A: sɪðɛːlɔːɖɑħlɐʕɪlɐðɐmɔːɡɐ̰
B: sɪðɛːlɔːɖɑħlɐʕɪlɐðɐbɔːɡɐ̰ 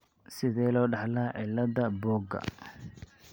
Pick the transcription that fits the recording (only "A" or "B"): B